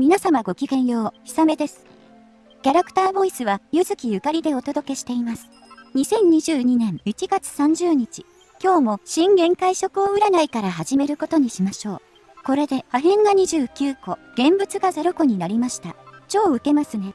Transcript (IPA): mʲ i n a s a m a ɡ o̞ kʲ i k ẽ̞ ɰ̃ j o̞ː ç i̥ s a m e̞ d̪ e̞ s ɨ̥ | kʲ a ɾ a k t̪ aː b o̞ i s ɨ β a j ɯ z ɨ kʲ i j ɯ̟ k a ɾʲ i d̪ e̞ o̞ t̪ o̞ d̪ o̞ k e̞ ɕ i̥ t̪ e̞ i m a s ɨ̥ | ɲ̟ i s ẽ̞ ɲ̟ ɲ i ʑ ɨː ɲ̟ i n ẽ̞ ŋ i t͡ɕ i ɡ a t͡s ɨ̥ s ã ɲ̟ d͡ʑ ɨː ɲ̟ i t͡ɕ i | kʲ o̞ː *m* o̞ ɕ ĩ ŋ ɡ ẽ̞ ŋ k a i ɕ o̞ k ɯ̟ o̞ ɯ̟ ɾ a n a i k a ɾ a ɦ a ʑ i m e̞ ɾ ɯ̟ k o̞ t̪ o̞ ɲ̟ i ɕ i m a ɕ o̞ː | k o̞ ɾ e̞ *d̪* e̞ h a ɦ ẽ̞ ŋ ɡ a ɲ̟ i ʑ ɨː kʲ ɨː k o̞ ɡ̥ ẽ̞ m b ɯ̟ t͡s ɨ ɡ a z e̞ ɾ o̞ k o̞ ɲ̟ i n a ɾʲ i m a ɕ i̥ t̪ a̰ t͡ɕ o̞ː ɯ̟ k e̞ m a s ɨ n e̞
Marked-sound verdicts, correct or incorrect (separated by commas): correct, correct